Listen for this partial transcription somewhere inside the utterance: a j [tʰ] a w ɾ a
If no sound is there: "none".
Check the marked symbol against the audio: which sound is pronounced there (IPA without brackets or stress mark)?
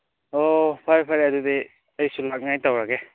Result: t